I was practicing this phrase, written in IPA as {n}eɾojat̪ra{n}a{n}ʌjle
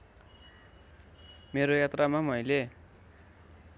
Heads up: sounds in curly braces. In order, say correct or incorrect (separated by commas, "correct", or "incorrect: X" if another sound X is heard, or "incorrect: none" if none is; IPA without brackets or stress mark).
incorrect: m, incorrect: m, incorrect: m